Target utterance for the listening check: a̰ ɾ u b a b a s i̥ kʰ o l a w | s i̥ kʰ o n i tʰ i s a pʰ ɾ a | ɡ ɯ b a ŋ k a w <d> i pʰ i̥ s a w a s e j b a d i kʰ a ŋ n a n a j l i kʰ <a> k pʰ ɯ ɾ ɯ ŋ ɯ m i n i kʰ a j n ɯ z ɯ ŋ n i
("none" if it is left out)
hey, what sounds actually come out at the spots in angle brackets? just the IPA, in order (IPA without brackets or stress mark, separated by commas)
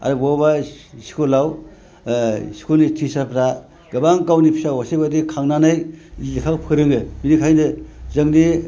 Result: n, a